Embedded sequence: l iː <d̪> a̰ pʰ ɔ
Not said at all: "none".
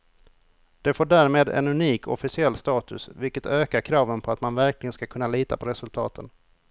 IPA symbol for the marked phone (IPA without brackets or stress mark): t̪